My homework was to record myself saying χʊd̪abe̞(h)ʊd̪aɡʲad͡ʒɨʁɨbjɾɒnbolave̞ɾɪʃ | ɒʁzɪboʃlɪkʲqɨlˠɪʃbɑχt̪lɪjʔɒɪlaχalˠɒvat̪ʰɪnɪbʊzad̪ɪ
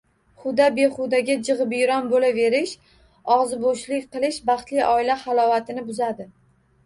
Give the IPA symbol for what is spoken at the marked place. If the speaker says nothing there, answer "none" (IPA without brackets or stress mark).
χ